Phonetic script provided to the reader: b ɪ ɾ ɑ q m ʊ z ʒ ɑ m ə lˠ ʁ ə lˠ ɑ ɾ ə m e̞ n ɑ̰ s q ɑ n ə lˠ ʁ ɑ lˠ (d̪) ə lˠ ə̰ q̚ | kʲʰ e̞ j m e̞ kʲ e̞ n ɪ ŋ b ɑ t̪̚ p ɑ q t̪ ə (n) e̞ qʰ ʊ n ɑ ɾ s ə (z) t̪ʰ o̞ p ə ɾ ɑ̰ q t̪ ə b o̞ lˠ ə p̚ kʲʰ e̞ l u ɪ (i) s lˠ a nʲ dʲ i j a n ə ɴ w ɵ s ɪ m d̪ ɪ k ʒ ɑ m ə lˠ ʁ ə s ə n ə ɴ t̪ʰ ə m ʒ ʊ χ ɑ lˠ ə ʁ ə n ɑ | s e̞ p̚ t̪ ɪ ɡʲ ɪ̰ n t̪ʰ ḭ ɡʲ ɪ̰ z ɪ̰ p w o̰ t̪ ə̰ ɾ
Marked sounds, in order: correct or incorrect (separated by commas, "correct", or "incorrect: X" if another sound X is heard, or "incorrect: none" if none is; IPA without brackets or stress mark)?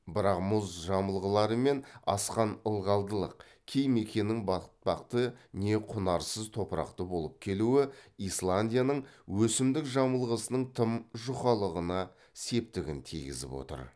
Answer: correct, correct, correct, correct